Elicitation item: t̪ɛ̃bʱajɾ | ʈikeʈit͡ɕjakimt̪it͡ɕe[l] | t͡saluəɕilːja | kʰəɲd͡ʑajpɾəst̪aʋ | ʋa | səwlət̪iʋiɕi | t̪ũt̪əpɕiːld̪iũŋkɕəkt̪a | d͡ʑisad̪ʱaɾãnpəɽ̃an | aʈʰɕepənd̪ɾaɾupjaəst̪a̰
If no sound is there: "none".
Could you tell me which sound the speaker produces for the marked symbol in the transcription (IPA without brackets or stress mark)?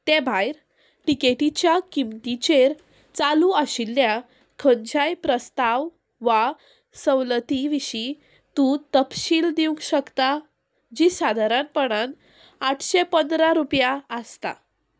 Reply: ɾ